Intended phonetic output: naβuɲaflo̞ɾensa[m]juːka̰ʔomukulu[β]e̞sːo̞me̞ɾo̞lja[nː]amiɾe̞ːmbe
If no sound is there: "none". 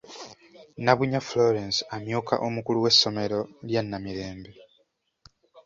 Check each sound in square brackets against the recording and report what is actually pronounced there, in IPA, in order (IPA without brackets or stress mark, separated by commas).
m, w, nː